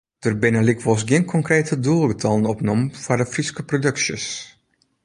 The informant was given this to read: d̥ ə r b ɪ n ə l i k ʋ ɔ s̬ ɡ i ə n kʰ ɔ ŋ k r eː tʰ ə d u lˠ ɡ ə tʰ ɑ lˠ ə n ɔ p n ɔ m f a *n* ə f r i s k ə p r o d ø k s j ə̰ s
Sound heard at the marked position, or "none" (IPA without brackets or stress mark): d